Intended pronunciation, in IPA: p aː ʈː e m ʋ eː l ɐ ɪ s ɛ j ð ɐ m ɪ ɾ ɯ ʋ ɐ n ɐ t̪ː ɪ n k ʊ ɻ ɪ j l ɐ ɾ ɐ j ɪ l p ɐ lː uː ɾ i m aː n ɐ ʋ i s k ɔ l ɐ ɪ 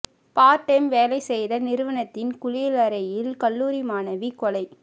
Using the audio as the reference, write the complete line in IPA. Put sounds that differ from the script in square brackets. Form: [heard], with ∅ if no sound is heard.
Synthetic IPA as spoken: p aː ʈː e m ʋ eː l ɐ ɪ s ɛ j ð ɐ [n] ɪ ɾ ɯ ʋ ɐ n ɐ t̪ː ɪ n k ʊ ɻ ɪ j l ɐ ɾ ɐ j ɪ l [k] ɐ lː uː ɾ i m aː n ɐ ʋ i [∅] k ɔ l ɐ ɪ

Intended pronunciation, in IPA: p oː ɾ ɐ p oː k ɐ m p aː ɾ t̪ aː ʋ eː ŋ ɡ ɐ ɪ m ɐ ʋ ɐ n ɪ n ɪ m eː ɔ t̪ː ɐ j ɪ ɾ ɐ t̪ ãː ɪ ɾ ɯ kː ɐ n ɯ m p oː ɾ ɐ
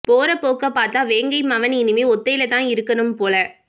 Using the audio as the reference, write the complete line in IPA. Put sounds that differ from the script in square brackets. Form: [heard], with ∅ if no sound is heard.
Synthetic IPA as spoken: p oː ɾ ɐ p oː k ɐ [∅] p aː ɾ t̪ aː ʋ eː ŋ ɡ ɐ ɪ m ɐ ʋ ɐ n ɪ n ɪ m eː ɔ t̪ː ɐ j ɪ [l] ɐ t̪ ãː ɪ ɾ ɯ kː ɐ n ɯ m p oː [l] ɐ

